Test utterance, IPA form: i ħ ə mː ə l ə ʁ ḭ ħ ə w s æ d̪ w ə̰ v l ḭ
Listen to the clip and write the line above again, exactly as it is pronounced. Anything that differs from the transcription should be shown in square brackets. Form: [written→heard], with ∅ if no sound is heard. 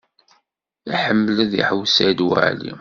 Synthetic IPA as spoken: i ħ ə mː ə l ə [ʁ→ð] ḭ ħ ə w s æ d̪ w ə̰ [v→ʕ] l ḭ